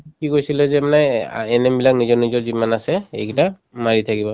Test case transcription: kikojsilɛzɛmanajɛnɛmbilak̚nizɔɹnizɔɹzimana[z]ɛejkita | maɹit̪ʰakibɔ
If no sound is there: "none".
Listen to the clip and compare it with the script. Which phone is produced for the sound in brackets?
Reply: s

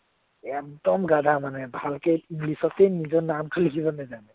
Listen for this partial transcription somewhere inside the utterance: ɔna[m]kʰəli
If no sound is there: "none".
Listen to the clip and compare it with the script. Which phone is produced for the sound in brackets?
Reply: m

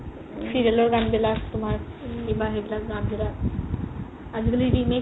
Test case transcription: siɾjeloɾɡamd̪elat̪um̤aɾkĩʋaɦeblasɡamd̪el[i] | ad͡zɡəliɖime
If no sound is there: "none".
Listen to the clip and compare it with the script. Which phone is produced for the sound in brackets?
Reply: a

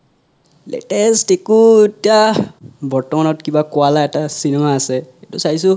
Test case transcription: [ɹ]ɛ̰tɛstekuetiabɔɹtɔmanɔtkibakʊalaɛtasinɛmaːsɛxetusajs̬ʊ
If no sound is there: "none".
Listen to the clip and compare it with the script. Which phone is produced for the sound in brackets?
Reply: l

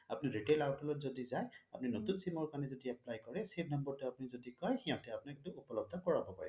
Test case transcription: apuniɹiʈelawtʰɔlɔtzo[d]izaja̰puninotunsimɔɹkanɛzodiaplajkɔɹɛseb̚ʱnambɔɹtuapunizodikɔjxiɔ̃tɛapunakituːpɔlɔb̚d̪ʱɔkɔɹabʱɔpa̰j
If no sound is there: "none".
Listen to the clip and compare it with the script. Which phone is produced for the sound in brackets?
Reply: d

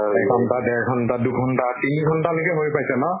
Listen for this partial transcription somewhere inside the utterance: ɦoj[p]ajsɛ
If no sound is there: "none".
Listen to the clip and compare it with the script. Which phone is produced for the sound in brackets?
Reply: p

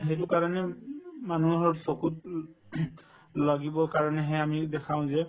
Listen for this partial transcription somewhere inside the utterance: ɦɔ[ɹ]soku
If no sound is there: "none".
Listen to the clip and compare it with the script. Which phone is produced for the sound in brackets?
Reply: ɹ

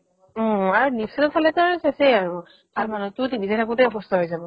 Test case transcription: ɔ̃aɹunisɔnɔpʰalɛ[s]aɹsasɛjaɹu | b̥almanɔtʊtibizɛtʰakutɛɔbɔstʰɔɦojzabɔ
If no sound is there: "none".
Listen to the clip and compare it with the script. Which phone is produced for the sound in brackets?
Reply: t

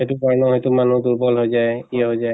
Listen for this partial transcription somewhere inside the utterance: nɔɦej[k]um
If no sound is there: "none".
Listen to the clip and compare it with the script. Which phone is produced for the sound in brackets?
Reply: t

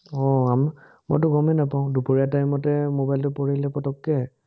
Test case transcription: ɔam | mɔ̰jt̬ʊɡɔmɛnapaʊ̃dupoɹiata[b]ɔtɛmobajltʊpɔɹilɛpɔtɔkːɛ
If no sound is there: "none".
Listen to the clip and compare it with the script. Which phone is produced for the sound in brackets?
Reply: m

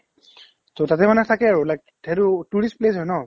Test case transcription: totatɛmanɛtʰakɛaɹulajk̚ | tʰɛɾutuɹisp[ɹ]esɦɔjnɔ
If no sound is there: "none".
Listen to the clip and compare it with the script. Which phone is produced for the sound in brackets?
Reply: l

